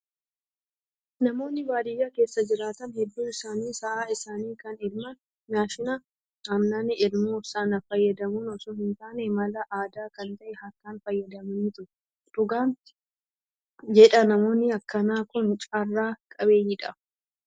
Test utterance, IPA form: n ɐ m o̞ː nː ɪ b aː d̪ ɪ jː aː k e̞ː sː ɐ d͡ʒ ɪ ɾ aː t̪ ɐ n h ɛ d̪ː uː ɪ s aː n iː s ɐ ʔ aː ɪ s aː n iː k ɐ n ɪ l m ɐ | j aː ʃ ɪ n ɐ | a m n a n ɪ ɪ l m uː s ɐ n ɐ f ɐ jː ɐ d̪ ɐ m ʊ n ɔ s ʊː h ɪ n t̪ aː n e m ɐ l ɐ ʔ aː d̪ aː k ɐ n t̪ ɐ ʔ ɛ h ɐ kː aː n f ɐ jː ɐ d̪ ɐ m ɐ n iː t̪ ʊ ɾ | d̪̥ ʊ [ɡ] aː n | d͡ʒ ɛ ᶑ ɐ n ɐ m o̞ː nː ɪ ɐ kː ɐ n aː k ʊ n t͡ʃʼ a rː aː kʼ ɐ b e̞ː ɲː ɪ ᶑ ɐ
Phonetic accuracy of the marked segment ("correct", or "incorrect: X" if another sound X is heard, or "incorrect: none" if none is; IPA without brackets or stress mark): correct